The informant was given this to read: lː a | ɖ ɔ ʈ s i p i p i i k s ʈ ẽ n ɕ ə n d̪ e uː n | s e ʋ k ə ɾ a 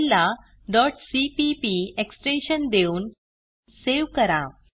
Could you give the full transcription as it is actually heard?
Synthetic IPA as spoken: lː a | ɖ ɔ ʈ s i p i p i e k s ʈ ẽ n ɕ ə n d̪ e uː n | s e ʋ k ə ɾ a